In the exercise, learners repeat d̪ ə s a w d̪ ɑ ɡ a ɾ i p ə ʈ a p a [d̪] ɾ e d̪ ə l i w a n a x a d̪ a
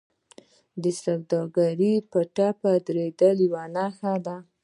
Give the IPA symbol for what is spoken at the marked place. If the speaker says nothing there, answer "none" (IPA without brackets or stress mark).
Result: d̪